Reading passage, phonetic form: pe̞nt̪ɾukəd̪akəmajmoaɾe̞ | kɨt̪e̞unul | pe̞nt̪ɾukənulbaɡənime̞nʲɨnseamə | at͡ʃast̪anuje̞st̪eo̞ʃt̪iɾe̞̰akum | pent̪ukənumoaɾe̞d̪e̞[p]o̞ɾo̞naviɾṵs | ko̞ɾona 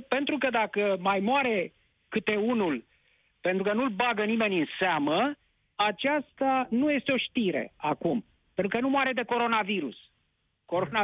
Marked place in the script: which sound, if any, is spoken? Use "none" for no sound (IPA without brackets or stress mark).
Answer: k